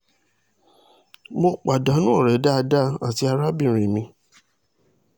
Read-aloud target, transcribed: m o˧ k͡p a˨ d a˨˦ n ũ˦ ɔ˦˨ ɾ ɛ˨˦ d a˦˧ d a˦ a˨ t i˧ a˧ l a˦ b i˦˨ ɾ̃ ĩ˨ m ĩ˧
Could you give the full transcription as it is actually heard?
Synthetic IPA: m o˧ k͡p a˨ d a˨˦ n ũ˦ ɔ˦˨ ɾ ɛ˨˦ d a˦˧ d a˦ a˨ t i˧ a˧ ɾ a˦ b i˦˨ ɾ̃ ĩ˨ m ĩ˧